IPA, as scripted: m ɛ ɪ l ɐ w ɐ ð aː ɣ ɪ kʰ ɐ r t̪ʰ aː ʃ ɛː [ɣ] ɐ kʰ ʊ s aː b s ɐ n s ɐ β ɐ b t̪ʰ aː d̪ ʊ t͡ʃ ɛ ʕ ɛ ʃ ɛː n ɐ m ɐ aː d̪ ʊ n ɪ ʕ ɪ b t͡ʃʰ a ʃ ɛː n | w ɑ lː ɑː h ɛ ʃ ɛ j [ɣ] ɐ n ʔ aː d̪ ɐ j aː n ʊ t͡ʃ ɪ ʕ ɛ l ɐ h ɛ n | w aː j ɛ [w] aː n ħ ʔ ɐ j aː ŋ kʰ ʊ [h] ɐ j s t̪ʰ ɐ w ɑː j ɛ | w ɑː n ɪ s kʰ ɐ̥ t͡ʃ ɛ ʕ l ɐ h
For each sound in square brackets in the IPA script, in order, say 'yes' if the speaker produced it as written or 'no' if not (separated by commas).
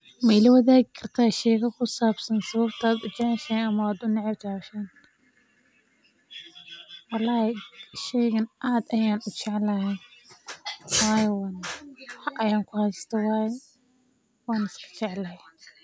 yes, yes, yes, yes